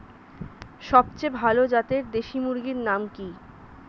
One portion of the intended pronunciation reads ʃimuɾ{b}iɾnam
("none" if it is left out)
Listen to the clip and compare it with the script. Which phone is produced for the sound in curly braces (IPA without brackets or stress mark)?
ɡ